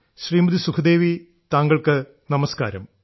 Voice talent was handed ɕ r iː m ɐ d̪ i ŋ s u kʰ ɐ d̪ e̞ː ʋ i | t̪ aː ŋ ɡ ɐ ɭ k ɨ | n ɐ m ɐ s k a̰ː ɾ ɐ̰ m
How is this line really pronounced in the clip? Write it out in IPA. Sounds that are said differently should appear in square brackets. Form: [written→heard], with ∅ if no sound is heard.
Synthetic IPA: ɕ r iː m ɐ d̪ i [ŋ→∅] s u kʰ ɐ d̪ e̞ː ʋ i | t̪ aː ŋ ɡ ɐ ɭ k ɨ | n ɐ m ɐ s k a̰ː ɾ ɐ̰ m